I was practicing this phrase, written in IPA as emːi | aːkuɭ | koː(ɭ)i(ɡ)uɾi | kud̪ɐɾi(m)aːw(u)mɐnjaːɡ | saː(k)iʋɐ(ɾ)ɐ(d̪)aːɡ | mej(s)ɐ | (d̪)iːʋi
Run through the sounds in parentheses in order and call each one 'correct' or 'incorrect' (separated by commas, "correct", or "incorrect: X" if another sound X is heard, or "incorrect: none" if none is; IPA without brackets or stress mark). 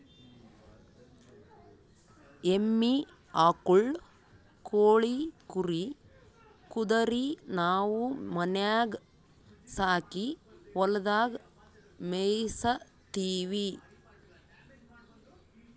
correct, incorrect: k, incorrect: n, correct, correct, incorrect: l, correct, correct, incorrect: t̪